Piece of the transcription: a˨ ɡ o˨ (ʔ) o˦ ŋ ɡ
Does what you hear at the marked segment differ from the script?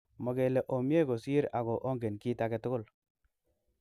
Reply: no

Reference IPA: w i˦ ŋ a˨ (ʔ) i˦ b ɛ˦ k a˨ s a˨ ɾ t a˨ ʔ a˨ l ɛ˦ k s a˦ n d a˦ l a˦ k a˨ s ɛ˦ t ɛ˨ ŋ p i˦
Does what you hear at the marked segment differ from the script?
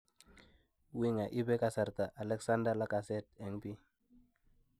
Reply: no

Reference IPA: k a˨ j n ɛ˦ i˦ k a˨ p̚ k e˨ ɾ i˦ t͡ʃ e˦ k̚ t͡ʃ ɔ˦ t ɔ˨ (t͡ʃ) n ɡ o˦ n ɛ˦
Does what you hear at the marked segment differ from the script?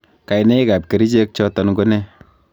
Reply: yes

